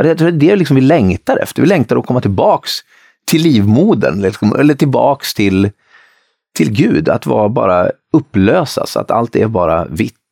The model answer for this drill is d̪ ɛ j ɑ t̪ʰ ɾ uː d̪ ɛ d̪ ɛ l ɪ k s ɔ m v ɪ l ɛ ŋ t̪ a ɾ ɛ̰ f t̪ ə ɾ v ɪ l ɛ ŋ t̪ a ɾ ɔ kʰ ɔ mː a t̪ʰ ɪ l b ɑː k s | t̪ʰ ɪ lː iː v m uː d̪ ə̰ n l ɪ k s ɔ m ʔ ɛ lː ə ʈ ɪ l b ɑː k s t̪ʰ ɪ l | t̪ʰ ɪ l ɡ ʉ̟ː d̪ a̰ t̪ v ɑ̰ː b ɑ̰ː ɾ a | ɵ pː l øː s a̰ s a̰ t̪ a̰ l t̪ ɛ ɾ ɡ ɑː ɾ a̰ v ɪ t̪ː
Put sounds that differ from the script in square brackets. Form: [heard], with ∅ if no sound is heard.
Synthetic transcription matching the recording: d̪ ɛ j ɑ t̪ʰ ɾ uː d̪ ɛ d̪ ɛ l ɪ k s ɔ m v ɪ l ɛ ŋ t̪ a ɾ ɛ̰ f t̪ ə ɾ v ɪ l ɛ ŋ t̪ a ɾ ɔ kʰ ɔ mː a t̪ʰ ɪ l b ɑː k s | t̪ʰ ɪ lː iː v m uː d̪ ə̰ n l ɪ k s ɔ m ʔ ɛ lː ə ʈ ɪ l b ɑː k s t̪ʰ ɪ l | t̪ʰ ɪ l ɡ ʉ̟ː d̪ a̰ t̪ v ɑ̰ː b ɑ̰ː ɾ a | ɵ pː l øː s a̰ s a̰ t̪ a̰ l t̪ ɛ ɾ [b] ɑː ɾ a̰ v ɪ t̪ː